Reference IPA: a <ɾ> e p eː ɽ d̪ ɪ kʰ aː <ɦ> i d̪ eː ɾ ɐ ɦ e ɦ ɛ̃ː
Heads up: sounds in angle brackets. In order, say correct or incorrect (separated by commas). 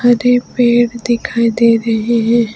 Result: correct, incorrect